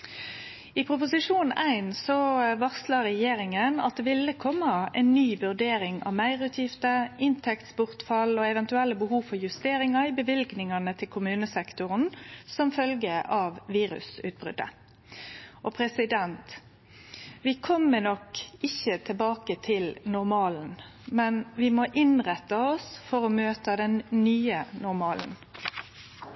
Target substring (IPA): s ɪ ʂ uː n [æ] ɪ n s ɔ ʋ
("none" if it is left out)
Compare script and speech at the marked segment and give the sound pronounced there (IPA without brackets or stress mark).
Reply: æ